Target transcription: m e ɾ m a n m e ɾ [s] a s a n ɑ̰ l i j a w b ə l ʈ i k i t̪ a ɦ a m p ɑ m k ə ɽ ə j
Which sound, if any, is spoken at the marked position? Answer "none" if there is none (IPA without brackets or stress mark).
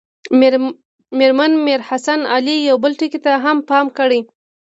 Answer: h